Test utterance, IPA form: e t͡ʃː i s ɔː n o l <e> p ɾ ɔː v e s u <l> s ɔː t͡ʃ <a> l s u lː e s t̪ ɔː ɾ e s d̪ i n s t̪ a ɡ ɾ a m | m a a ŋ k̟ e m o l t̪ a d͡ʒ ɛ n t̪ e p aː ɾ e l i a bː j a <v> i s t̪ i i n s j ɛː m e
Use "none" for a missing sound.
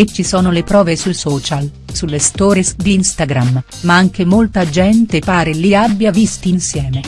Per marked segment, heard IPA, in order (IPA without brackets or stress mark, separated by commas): e, l, a, v